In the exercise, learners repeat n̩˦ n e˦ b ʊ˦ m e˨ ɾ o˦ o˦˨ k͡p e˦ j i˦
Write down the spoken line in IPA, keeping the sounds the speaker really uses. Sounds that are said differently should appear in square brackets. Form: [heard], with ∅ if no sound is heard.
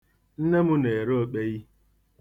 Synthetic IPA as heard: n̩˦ n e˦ [m] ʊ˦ [n] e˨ ɾ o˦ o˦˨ k͡p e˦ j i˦